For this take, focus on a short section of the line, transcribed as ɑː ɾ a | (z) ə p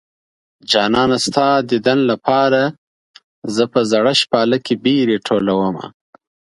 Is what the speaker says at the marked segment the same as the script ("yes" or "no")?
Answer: yes